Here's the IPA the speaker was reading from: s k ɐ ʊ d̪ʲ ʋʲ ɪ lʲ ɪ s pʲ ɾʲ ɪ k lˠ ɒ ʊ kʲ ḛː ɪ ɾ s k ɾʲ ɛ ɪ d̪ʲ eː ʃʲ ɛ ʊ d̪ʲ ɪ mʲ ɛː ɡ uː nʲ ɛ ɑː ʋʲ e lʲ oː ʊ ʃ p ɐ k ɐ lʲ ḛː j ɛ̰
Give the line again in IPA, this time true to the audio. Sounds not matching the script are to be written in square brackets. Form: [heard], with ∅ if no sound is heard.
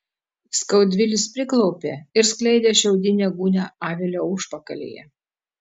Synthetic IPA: s k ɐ ʊ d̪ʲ ʋʲ ɪ lʲ ɪ s pʲ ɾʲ ɪ k lˠ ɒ ʊ [pʲ] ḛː ɪ ɾ s k [lʲ] ɛ ɪ d̪ʲ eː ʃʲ ɛ ʊ d̪ʲ ɪ [nʲ] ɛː ɡ uː nʲ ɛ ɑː ʋʲ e lʲ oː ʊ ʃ p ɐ k ɐ lʲ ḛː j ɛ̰